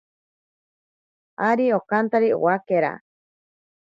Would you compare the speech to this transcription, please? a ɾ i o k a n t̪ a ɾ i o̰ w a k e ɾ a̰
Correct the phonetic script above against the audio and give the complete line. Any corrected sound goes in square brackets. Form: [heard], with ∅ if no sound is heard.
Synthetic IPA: a ɾ i o k a n t̪ a ɾ i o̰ w a k e ɾ a̰